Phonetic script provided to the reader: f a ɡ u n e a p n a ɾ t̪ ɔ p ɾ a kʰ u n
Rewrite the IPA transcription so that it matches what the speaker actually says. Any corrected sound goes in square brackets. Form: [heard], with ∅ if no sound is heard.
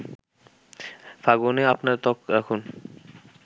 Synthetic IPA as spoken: f a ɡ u n e a p n a ɾ t̪ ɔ [k] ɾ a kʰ u n